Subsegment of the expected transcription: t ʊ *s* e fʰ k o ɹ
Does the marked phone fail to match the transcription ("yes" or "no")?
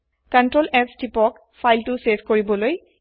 no